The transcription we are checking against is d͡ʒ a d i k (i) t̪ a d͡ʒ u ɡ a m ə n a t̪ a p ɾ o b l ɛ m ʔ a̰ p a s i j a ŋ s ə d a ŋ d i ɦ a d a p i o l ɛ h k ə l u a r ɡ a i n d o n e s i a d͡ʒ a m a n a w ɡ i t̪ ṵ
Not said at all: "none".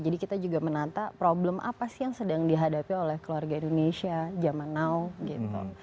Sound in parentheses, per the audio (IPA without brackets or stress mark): i